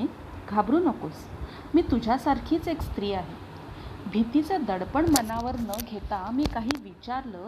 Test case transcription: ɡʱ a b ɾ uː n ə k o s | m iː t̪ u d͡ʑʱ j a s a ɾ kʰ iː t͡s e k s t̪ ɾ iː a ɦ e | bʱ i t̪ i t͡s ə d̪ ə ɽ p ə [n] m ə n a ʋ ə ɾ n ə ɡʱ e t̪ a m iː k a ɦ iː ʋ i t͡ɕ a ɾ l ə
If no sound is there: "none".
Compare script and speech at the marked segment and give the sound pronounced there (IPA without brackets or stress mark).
ɳ